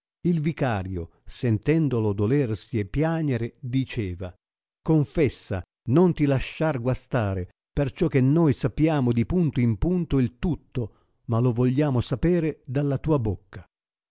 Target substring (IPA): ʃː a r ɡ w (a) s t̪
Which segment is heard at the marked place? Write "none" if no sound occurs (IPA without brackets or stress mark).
a